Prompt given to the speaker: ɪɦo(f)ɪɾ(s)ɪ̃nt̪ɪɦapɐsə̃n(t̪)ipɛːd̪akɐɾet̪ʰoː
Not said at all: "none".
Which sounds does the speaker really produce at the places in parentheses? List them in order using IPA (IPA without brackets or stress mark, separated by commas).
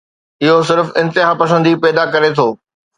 s, f, d̪